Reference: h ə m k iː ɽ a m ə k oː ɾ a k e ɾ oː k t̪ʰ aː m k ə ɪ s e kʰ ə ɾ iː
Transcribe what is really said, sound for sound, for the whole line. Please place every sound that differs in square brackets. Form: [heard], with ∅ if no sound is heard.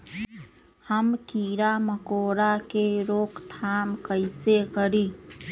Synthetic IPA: h ə m k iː [ɾ] a m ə k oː ɾ a k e ɾ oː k t̪ʰ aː m k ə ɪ s e [k] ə ɾ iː